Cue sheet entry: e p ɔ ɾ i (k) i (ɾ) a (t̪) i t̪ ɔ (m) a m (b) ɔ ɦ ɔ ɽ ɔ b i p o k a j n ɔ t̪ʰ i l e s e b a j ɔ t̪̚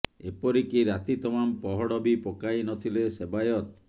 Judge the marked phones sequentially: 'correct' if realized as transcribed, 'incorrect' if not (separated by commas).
correct, correct, correct, correct, incorrect